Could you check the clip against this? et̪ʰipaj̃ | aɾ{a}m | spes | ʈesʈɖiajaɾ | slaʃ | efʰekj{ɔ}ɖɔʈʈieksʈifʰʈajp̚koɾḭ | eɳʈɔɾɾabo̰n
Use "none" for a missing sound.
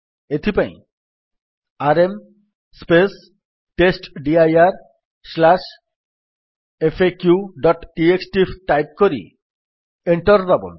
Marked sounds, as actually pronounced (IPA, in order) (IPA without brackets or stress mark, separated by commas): e, u